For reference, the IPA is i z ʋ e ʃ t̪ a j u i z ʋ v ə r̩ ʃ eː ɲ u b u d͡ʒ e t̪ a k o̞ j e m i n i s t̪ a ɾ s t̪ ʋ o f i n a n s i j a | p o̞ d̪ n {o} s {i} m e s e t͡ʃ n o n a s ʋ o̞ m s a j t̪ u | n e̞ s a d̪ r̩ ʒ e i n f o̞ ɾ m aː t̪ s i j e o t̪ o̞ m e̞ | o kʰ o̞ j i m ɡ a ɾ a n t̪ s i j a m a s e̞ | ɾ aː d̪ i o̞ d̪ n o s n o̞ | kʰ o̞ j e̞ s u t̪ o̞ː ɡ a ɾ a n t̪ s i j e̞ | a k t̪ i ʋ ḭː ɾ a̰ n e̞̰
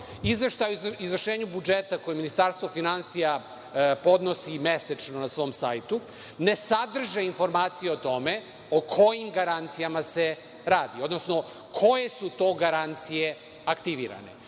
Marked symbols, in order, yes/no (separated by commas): yes, yes